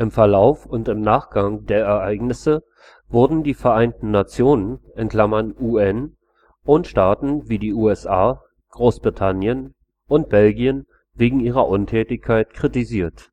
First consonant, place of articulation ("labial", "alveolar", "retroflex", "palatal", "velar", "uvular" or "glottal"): glottal